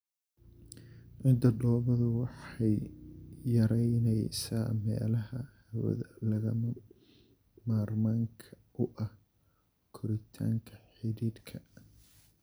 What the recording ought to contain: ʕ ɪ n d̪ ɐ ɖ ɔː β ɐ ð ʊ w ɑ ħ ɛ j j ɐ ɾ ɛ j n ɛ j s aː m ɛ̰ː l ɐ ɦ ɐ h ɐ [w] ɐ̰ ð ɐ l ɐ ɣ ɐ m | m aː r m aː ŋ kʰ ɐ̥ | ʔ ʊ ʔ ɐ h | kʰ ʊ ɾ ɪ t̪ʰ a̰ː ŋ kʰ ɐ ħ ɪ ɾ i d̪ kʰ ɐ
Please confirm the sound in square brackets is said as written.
yes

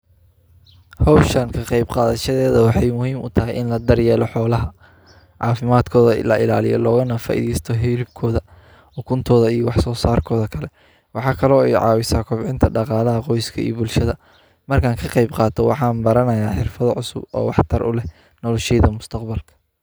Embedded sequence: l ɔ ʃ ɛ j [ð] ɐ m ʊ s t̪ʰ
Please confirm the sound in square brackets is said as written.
yes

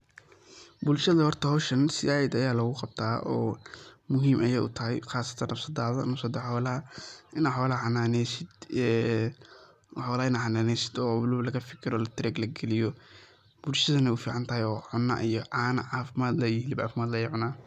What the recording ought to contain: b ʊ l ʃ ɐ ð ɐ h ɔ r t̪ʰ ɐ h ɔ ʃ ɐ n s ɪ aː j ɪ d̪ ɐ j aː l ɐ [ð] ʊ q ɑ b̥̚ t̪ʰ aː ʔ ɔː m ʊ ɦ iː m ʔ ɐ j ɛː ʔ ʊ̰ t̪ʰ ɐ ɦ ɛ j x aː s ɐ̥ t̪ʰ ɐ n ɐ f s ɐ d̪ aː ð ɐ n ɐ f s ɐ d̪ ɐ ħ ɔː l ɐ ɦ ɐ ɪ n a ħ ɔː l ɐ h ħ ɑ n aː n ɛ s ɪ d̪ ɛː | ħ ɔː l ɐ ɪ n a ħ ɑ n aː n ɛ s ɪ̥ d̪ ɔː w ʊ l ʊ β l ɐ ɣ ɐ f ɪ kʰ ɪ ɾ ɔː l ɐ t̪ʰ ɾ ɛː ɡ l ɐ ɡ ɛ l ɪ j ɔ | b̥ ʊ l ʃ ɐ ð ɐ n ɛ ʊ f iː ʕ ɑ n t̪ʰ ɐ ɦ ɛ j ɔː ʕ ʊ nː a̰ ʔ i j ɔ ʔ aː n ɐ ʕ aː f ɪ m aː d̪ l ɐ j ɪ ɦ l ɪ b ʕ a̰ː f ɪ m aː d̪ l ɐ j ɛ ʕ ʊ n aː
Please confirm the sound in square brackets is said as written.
no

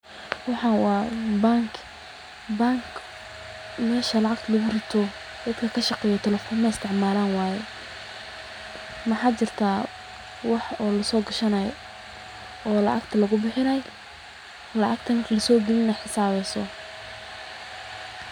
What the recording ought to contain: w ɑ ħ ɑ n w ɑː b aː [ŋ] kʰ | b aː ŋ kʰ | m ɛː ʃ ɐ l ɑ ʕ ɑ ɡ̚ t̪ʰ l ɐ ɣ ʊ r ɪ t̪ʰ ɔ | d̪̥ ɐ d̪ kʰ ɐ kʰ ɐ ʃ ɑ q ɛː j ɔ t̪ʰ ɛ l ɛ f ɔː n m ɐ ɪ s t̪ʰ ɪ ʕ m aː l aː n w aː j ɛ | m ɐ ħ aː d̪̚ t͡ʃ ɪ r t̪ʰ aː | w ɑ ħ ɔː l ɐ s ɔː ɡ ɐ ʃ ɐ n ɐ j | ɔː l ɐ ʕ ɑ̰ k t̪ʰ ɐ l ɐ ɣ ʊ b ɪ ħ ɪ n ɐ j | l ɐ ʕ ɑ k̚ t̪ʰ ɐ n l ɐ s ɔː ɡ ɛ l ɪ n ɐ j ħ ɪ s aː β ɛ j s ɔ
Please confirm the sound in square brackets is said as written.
yes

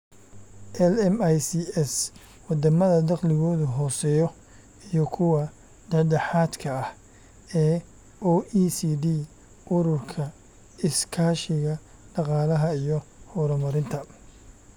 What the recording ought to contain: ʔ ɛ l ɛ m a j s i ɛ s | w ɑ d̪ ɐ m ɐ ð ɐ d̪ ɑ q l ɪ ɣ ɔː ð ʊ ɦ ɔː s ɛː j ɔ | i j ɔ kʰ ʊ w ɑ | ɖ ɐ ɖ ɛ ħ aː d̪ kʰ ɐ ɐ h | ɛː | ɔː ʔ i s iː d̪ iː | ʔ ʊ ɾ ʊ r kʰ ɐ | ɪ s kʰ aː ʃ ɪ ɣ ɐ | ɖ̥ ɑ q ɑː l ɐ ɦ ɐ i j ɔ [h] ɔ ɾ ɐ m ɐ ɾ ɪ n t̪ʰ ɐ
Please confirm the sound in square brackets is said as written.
yes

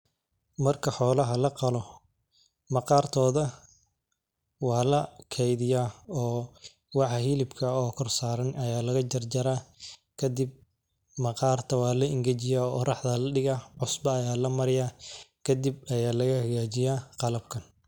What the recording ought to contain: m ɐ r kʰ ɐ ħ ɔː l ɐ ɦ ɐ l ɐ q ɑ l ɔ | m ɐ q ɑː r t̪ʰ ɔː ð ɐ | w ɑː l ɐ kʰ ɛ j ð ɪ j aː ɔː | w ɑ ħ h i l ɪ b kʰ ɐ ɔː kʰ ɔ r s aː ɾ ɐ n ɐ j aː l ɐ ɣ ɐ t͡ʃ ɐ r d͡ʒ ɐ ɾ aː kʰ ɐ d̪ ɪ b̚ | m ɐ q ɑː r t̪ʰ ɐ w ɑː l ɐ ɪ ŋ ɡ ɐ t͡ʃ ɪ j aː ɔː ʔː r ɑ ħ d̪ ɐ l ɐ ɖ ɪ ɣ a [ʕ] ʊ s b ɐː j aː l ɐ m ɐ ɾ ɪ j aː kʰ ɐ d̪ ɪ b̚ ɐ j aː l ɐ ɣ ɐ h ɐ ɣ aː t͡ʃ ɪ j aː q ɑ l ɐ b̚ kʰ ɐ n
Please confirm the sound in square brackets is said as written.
yes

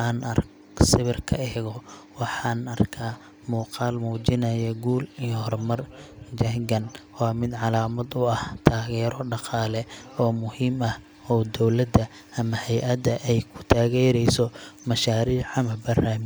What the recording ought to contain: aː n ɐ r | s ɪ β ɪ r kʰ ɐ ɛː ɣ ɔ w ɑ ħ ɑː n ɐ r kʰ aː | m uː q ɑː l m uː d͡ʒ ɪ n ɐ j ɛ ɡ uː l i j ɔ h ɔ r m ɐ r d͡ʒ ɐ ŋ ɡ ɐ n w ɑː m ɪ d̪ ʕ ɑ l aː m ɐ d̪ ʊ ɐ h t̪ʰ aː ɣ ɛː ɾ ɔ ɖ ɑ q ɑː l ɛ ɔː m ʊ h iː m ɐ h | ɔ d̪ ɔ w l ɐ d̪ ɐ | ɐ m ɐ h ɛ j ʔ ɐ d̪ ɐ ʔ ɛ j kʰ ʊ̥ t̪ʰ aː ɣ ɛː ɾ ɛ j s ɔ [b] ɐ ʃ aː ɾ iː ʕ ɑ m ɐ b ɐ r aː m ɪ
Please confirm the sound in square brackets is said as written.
no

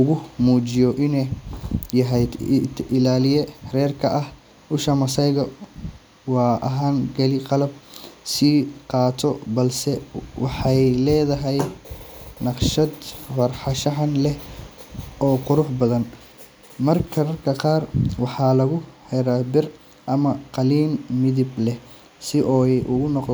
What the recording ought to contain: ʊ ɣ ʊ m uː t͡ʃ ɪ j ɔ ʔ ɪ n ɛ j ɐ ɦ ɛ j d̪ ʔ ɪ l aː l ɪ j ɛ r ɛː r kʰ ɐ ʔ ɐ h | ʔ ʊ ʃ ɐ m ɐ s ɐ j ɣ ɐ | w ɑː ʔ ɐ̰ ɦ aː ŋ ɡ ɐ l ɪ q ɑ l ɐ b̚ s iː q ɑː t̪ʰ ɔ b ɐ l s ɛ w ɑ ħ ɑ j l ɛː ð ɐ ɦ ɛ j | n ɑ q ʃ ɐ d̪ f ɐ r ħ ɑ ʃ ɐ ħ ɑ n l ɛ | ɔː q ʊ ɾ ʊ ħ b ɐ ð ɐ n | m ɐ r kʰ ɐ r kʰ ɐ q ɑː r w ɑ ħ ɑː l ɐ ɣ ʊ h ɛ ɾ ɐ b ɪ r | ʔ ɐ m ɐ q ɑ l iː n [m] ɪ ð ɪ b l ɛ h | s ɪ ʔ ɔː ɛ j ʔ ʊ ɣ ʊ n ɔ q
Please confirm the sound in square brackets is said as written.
yes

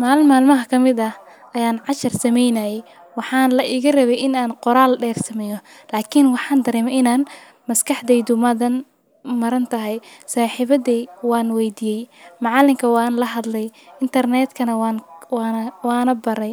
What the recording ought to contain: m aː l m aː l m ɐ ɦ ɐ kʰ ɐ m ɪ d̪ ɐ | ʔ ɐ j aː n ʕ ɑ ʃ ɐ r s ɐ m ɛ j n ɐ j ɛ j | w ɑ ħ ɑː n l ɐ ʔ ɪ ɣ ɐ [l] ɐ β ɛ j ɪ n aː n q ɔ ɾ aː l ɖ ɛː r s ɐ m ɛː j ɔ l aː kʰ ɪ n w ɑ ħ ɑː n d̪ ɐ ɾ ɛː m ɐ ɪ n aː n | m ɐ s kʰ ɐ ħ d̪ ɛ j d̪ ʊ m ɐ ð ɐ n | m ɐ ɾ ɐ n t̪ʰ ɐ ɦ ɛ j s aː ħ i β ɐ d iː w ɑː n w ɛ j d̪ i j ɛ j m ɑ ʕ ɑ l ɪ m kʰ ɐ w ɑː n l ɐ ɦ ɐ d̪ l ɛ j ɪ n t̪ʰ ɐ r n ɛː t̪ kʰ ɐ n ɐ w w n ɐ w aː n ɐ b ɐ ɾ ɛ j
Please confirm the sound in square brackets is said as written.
no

